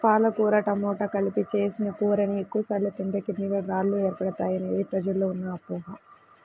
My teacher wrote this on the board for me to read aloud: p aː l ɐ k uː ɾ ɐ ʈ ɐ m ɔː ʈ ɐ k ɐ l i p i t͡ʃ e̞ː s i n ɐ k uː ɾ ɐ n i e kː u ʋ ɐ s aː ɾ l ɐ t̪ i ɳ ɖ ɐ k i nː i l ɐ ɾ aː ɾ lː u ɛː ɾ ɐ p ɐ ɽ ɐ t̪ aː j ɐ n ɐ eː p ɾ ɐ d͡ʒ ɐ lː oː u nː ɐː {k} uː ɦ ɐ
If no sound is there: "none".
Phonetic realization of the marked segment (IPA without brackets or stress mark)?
p